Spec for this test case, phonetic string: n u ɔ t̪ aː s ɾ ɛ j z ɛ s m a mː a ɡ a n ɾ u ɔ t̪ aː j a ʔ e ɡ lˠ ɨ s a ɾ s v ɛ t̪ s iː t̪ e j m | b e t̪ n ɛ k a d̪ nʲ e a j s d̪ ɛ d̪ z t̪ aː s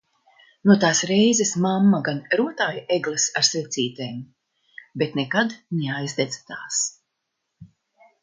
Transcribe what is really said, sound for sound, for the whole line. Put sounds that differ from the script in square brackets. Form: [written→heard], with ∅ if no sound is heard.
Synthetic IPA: n u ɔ t̪ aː s ɾ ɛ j z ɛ s m a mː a ɡ a n ɾ u ɔ t̪ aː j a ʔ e ɡ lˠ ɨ s a ɾ s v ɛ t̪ s iː t̪ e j m | b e t̪ n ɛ k a d̪ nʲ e a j [s→z] d̪ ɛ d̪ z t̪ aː s